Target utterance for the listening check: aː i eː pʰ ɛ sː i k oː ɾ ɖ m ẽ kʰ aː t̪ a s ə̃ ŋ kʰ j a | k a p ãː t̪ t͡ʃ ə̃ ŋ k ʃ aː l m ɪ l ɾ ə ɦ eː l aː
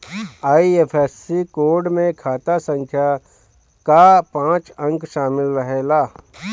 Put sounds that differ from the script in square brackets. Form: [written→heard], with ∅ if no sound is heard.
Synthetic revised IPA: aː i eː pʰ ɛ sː i k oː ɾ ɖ m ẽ kʰ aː t̪ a s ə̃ ŋ kʰ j a | k a p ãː [t̪→∅] t͡ʃ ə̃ ŋ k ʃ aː [l→∅] m ɪ l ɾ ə ɦ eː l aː